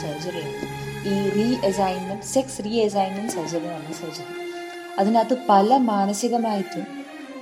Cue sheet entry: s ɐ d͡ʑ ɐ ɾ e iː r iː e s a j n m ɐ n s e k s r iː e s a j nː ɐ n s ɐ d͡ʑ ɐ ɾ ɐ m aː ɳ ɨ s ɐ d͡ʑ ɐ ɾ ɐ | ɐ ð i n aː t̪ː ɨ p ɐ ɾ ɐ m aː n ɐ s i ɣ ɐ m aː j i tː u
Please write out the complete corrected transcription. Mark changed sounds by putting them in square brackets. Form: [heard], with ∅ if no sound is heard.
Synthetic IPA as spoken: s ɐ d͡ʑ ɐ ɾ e iː r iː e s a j n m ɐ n s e k s r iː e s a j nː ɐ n s ɐ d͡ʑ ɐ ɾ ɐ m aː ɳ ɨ s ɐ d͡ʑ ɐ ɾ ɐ | ɐ ð i n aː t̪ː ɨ p ɐ [l] ɐ m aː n ɐ s i ɣ ɐ m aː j i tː u